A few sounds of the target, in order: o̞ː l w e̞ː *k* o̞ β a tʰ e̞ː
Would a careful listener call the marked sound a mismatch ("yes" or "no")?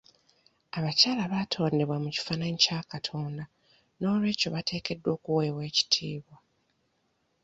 yes